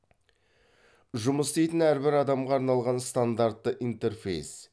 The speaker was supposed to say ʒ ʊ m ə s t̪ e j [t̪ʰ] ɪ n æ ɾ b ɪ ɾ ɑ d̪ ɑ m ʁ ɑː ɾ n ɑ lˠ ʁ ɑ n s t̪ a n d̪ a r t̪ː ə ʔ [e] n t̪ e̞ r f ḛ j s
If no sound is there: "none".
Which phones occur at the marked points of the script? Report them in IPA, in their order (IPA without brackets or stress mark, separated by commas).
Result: t̪, i